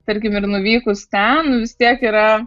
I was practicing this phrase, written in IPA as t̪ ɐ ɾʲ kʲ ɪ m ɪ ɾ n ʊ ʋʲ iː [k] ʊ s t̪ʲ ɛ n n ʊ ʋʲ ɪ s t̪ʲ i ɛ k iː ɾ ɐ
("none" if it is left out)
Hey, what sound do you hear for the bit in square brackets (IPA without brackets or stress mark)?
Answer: k